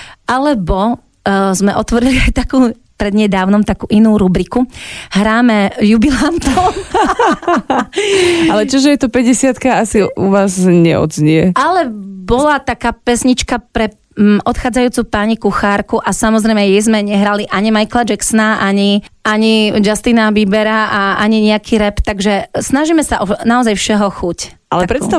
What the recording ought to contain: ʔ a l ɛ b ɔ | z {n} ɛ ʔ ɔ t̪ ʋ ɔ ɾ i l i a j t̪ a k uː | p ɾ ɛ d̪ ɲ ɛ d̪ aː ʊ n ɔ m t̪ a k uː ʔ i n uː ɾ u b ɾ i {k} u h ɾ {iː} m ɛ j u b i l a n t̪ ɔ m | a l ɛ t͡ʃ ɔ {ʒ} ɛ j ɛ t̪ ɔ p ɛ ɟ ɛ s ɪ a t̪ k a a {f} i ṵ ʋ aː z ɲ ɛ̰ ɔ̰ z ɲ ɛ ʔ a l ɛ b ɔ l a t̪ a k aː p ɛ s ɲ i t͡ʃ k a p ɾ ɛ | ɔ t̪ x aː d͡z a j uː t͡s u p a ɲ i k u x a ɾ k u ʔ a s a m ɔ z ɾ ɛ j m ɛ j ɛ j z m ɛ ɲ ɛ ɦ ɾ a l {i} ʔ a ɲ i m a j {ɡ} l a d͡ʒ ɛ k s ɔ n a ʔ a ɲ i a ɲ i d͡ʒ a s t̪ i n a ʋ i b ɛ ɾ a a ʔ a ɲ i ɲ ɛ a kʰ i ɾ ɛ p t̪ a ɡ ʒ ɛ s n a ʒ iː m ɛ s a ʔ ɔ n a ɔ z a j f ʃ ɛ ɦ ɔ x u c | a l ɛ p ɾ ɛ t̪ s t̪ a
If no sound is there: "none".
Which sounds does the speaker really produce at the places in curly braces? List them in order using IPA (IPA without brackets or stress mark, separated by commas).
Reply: m, k, aː, ʒ, s, i, k